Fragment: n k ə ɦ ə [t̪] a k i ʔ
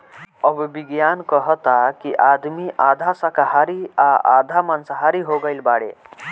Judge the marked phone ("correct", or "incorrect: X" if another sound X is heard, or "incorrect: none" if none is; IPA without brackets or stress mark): correct